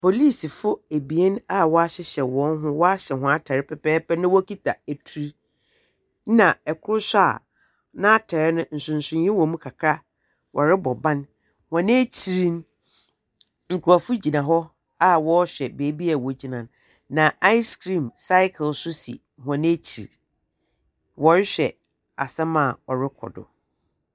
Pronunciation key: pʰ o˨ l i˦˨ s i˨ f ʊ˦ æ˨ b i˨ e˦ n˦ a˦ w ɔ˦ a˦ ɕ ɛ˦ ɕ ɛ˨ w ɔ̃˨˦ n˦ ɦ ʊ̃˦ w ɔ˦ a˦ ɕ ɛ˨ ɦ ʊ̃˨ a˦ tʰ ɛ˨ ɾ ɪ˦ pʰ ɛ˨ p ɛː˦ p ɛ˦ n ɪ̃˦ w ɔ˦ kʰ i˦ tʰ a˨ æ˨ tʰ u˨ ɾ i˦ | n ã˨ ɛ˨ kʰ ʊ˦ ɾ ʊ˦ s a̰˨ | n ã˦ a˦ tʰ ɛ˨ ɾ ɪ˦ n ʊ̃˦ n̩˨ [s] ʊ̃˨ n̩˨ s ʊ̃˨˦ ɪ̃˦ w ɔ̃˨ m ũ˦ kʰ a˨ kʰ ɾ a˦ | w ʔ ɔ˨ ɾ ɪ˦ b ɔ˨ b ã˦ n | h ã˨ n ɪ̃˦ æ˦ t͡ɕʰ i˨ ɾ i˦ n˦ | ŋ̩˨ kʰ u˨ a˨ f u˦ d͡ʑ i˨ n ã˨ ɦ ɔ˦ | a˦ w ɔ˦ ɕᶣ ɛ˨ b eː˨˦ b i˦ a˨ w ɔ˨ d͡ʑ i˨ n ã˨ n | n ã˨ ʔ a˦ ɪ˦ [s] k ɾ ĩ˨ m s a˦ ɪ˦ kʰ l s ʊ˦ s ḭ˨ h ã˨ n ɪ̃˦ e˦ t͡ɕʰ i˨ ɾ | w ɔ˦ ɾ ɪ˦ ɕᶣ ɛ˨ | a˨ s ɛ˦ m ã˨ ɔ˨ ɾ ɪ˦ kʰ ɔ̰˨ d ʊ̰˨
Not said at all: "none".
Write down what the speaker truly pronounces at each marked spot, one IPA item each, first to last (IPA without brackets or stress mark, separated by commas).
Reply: s, s